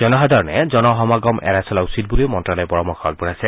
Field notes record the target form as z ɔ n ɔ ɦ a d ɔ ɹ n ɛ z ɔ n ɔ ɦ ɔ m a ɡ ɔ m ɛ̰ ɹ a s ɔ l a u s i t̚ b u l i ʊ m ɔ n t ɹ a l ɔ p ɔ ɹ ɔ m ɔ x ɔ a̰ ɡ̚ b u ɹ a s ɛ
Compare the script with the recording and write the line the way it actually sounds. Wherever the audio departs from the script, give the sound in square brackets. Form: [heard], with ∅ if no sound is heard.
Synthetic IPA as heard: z ɔ n ɔ ɦ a d ɔ ɹ n ɛ z ɔ n ɔ ɦ ɔ m a ɡ ɔ m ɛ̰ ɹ a s ɔ l a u s i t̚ b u l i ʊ m ɔ n t ɹ a l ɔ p ɔ ɹ ɔ m ɔ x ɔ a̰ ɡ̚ b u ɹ a s ɛ